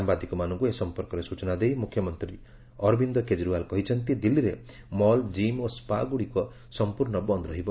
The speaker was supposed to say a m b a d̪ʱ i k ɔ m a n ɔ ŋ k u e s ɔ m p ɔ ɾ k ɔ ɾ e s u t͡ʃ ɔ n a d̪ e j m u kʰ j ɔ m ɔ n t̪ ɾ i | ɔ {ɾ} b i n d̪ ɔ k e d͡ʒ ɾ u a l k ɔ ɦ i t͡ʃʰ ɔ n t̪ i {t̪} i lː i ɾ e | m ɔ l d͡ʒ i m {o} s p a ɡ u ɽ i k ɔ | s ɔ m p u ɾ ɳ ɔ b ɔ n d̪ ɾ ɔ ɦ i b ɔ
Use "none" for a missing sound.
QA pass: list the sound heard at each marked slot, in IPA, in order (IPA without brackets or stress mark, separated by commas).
ɾ, d̪, o